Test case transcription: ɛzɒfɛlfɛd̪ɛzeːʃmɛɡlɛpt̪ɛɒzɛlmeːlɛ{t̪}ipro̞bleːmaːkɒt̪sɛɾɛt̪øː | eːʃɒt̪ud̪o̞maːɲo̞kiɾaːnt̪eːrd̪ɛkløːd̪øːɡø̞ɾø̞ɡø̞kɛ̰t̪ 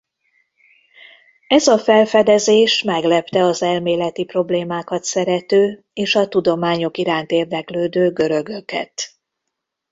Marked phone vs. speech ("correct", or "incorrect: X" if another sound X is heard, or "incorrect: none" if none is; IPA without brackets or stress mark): correct